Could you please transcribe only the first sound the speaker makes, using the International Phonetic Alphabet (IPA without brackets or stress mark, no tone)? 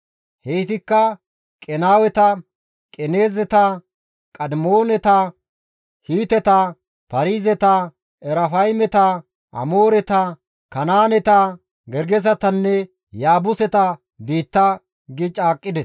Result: h